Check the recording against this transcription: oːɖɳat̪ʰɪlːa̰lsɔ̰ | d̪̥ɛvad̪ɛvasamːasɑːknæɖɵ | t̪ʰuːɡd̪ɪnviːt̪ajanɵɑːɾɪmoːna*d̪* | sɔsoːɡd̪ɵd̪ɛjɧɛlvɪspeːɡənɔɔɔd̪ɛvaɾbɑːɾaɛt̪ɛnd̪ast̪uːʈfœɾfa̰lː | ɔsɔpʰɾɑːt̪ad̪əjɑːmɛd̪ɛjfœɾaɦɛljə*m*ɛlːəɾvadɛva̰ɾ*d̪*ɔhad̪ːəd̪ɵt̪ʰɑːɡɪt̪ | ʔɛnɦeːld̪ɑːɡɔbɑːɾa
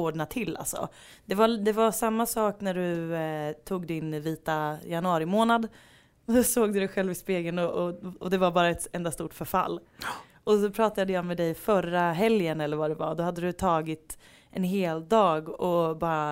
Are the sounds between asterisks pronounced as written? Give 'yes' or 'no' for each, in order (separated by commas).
yes, no, yes